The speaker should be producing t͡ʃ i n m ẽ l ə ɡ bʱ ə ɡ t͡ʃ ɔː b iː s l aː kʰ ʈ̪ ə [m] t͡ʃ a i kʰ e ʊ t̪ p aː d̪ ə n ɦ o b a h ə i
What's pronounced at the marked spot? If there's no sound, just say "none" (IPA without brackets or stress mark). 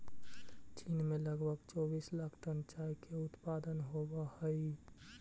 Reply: n